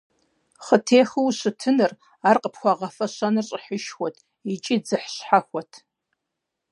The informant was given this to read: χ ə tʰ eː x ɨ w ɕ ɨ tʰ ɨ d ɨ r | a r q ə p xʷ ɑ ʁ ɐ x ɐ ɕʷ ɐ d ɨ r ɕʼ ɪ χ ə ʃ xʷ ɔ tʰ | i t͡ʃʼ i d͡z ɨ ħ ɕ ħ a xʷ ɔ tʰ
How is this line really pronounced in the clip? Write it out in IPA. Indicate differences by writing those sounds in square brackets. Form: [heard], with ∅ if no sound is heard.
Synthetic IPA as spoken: χ ə tʰ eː x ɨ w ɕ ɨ tʰ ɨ [n] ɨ r | a r q ə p xʷ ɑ ʁ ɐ [f] ɐ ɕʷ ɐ [n] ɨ r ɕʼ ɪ [ħ] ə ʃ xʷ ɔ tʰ | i t͡ʃʼ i d͡z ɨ ħ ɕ ħ a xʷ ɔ tʰ